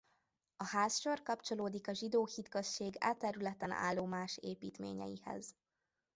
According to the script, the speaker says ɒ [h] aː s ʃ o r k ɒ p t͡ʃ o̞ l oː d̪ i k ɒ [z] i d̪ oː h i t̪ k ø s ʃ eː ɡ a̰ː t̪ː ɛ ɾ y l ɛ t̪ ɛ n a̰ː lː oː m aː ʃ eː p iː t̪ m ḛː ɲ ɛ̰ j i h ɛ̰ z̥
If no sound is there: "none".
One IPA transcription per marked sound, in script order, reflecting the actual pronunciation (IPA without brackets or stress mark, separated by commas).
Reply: h, ʒ